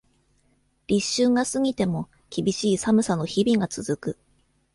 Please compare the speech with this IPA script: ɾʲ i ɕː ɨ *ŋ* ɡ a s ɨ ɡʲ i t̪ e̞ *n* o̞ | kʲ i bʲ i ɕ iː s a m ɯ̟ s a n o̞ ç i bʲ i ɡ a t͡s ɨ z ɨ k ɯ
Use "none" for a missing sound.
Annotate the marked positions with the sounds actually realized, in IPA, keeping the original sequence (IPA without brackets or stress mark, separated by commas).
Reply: ŋ, m